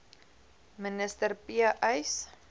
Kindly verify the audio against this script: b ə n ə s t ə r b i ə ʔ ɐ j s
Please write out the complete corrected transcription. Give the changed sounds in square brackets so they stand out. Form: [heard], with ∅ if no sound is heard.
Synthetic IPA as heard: [m] ə n ə s t ə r [p] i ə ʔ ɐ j s